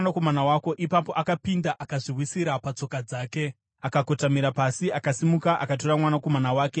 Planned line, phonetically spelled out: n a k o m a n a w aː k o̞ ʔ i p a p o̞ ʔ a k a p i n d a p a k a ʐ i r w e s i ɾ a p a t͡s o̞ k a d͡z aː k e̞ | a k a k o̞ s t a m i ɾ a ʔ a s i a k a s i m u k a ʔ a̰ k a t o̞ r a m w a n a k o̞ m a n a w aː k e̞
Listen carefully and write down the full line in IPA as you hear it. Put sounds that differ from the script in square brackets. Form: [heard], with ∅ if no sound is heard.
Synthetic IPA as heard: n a k o m a n a w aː k o̞ ʔ i p a p o̞ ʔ a k a p i n d a [ʔ] a k a ʐ i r w [i] s i ɾ a p a t͡s o̞ k a d͡z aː k e̞ | a k a k o̞ [∅] t a m i ɾ a [p] a s i a k a s i m u k a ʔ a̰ k a t o̞ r a m w a n a k o̞ m a n a w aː k e̞